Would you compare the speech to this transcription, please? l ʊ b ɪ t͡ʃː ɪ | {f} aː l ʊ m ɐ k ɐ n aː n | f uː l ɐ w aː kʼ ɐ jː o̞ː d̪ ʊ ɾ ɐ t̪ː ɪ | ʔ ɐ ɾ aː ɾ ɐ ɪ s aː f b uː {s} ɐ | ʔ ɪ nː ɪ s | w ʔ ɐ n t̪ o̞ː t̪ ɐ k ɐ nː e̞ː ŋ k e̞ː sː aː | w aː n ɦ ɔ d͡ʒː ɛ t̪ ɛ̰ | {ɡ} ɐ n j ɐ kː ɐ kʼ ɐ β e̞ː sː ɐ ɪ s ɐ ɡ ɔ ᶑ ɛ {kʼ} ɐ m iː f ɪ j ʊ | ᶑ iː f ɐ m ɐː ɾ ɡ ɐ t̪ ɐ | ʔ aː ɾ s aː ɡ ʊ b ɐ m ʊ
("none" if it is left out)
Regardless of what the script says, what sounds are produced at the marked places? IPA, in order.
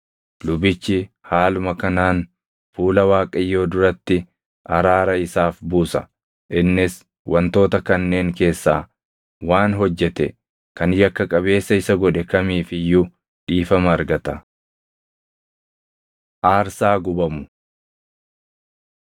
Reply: h, s, k, k

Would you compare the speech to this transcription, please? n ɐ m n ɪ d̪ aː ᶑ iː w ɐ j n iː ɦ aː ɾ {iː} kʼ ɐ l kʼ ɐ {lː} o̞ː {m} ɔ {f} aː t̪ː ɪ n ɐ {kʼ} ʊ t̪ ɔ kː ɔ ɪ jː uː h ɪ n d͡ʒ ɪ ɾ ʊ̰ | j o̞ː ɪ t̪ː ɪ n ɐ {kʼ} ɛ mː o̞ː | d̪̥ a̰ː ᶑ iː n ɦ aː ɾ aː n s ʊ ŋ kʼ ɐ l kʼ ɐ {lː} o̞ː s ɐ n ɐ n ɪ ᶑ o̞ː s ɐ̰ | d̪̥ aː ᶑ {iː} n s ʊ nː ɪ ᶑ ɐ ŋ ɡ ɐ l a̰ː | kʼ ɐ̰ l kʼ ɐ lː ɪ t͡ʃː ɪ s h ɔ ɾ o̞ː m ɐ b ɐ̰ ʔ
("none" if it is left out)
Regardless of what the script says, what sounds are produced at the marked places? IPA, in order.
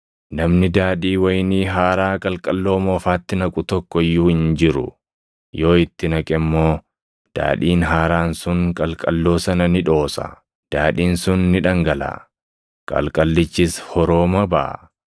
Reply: aː, lː, m, f, kʼ, kʼ, lː, iː

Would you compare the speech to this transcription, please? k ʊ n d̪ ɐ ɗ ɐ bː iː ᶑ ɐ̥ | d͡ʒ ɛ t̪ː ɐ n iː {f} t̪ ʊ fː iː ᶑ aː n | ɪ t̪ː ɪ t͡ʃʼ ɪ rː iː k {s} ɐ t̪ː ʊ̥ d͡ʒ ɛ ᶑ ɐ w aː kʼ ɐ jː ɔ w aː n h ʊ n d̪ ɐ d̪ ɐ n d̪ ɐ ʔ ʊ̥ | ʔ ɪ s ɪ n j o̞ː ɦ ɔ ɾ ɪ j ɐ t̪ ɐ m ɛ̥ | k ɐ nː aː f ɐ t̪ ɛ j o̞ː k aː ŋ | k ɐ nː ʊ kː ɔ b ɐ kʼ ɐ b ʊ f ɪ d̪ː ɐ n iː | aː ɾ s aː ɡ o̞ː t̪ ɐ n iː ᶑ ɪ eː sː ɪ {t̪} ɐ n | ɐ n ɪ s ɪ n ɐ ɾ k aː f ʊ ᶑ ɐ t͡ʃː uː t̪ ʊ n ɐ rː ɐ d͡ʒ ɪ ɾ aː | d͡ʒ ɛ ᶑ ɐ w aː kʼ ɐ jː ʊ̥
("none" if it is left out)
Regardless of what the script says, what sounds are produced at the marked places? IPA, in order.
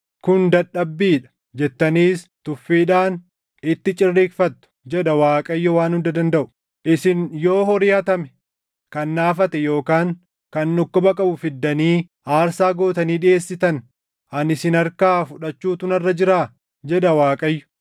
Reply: s, f, t̪

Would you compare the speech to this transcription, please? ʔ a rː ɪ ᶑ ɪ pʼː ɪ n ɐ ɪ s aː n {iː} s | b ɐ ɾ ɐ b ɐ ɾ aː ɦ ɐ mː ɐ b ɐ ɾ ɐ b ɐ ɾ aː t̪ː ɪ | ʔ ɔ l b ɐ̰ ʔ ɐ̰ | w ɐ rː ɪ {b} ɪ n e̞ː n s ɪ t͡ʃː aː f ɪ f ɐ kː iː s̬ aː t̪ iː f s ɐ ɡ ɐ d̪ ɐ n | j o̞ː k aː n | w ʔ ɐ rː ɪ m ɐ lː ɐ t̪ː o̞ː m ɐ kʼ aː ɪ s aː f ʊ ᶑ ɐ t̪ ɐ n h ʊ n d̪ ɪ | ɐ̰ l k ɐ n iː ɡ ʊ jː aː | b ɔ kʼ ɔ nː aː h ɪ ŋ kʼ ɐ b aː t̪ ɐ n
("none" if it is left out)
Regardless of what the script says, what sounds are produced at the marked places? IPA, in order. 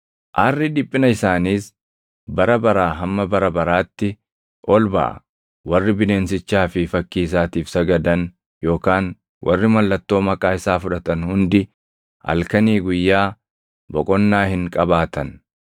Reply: iː, b

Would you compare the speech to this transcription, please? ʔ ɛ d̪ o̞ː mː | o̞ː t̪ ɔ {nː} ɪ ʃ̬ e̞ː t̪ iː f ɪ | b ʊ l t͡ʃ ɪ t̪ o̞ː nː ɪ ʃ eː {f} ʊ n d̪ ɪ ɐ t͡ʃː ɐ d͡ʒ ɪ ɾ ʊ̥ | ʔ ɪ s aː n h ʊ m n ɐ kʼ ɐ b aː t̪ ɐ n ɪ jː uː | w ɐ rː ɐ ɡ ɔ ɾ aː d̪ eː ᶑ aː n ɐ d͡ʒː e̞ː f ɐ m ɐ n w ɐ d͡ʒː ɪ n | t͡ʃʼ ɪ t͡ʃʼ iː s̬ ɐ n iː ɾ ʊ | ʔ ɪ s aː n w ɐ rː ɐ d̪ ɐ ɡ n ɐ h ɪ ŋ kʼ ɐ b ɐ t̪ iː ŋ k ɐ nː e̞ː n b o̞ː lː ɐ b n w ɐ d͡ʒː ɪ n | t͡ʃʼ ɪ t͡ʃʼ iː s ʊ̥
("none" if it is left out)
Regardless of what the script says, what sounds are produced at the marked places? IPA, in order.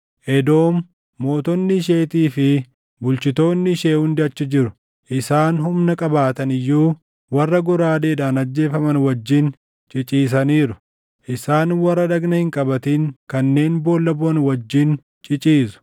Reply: nː, h

